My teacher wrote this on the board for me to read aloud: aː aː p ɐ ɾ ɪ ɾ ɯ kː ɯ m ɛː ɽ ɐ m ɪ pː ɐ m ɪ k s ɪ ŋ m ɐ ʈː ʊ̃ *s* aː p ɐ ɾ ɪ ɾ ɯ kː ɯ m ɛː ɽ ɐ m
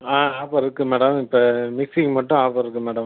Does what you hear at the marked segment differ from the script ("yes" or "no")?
yes